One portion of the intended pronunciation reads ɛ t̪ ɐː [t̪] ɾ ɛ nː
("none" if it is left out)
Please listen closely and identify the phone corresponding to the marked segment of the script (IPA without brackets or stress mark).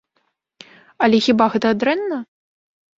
d̪